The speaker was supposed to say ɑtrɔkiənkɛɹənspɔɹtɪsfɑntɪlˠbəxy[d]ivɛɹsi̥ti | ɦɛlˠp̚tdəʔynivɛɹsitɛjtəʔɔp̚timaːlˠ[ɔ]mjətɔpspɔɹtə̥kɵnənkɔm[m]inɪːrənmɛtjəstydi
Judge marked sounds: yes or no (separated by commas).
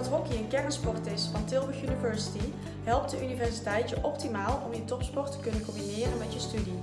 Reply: no, yes, no